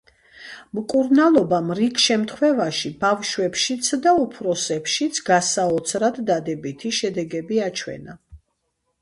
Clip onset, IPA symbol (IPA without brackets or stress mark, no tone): m